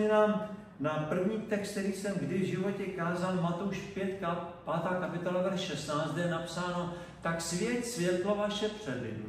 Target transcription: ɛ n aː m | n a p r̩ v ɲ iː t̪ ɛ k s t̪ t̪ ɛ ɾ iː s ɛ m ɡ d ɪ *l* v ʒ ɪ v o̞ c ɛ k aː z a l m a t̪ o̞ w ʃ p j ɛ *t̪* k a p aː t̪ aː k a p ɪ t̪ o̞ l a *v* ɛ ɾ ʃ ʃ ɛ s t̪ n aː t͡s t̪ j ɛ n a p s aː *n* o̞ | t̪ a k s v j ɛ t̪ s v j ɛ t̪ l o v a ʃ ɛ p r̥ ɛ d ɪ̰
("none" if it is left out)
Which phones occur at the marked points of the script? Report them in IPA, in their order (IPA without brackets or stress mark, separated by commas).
none, t̪, v, n